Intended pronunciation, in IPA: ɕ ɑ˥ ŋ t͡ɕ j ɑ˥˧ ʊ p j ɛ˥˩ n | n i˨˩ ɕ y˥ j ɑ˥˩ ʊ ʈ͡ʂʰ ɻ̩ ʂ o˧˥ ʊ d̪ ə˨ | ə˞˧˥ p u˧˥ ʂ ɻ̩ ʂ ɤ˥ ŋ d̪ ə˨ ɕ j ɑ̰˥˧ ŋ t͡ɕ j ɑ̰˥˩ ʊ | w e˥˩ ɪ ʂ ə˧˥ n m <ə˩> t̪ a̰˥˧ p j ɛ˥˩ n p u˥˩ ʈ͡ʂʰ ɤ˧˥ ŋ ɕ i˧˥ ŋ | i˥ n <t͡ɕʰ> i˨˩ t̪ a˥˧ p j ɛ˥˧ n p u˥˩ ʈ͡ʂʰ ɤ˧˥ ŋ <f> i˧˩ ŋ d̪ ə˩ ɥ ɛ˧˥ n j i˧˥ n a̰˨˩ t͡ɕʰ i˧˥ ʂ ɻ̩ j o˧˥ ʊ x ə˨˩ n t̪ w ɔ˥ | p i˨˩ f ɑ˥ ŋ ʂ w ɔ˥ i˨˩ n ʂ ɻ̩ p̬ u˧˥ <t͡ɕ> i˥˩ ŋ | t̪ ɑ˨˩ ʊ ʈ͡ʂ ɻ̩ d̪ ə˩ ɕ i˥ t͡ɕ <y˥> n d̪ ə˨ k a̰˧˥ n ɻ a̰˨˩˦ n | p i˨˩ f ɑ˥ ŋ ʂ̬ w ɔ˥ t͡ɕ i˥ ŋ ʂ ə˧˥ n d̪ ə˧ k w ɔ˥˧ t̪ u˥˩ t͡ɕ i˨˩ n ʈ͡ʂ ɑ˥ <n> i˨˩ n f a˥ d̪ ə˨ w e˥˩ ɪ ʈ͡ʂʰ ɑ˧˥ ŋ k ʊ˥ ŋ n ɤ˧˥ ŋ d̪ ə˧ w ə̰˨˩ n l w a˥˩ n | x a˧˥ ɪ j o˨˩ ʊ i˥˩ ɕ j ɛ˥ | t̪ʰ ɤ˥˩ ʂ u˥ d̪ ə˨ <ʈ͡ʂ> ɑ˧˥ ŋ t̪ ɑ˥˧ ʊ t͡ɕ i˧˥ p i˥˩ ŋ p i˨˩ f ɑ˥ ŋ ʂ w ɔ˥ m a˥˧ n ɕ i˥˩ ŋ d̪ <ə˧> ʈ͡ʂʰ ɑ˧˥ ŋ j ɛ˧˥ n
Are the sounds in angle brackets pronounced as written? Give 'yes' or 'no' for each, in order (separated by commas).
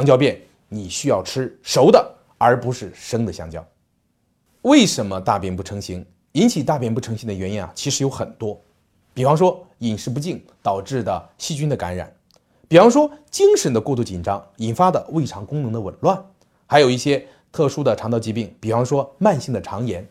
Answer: no, yes, no, yes, yes, no, no, no